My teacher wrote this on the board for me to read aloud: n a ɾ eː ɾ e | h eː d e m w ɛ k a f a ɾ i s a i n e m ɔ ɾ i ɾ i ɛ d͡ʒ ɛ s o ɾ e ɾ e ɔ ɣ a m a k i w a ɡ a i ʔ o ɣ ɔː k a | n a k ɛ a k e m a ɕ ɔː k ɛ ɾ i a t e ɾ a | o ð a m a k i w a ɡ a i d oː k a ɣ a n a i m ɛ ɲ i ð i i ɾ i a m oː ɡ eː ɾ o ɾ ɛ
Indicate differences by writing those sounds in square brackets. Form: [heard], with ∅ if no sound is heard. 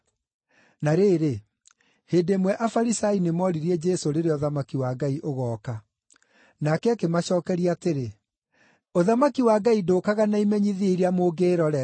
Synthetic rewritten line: n a ɾ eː ɾ e | h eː d e m w ɛ [ʔ] a f a ɾ i s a i n e m ɔ ɾ i ɾ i ɛ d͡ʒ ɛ s o ɾ e ɾ e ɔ [ð] a m a k i w a ɡ a i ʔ o ɣ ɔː k a | n a k ɛ a k e m a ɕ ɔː k ɛ ɾ i a t e ɾ [e] | o ð a m a k i w a ɡ a i d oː k a ɣ a n a i m ɛ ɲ i ð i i ɾ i a m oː ɡ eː ɾ [ɔ] ɾ ɛ